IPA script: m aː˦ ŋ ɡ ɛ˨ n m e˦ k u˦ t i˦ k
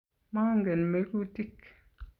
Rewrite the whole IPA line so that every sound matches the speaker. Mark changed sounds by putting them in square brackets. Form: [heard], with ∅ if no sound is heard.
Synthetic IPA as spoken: m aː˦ ŋ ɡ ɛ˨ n m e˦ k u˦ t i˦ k